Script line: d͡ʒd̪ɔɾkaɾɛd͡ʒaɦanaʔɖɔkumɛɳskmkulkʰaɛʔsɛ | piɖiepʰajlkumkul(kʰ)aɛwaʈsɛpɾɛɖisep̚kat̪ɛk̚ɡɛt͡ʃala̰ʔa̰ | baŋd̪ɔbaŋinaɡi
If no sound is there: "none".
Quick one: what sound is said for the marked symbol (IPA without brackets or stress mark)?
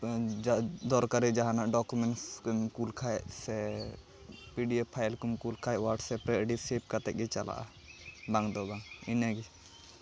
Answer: kʰ